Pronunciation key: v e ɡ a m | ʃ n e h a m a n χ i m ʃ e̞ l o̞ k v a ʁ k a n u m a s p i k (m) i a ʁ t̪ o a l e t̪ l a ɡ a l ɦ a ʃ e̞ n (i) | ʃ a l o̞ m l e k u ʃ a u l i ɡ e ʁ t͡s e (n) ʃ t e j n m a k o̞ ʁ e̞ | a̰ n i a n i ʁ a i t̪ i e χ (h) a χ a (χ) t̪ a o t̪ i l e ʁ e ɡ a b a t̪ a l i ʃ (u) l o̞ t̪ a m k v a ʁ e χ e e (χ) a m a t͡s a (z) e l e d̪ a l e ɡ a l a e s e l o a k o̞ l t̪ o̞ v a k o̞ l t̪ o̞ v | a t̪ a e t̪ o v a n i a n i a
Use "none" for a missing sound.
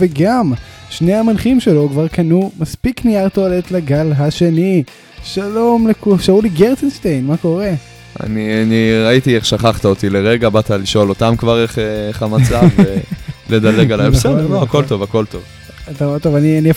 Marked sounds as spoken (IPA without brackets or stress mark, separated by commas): n, i, n, ʃ, χ, o, χ, v